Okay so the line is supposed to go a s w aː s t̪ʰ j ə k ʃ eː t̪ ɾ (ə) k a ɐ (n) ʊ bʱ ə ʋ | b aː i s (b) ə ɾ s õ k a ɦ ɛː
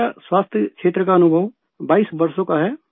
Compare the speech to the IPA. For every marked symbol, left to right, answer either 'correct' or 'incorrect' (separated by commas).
correct, correct, correct